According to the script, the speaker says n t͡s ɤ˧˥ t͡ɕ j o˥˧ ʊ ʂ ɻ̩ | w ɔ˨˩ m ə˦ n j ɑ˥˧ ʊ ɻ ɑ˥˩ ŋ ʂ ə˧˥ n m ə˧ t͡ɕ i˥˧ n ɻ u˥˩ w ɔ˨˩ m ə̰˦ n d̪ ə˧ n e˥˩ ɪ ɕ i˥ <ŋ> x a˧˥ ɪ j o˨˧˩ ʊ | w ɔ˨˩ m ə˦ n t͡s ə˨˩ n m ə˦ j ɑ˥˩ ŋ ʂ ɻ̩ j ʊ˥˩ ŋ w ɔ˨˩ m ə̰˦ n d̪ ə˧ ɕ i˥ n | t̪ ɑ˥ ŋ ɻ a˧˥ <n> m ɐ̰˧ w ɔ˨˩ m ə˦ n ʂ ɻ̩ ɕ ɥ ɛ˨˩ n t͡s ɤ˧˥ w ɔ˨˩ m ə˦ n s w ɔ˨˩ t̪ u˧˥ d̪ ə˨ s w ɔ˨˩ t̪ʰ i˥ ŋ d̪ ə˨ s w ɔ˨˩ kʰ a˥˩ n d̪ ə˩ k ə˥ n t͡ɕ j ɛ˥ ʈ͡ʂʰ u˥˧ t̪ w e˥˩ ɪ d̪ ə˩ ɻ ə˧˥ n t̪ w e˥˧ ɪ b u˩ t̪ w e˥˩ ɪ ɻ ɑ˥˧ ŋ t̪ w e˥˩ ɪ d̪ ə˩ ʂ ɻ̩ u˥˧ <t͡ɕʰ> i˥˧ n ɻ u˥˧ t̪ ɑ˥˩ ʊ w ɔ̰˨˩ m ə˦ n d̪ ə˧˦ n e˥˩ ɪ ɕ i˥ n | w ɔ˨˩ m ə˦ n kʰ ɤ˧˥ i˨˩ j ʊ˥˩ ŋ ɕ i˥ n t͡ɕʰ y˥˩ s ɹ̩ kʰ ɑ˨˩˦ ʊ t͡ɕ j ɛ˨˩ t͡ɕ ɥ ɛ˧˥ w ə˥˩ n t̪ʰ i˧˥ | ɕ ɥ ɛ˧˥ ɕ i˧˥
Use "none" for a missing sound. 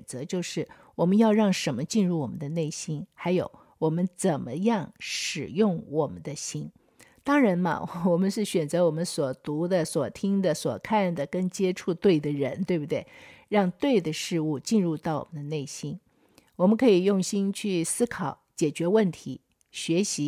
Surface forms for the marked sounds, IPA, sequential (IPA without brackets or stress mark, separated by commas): n, n, t͡ɕ